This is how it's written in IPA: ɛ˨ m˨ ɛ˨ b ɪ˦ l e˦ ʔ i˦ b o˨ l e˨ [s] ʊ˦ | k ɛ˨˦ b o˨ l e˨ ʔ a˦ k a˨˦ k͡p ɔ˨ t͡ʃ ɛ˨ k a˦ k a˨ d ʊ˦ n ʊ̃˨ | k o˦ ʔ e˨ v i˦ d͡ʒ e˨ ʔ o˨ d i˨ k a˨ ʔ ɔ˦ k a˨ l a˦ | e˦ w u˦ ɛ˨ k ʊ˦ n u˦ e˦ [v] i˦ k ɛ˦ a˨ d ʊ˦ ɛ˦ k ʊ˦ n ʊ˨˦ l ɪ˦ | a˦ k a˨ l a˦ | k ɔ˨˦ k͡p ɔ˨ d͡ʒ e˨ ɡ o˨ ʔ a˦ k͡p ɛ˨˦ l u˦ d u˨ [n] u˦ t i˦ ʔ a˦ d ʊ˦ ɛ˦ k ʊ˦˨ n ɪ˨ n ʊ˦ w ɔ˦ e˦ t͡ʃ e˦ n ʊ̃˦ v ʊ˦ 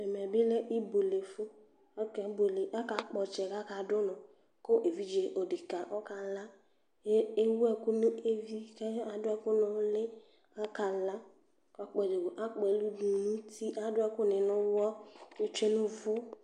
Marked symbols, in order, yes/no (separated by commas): no, yes, yes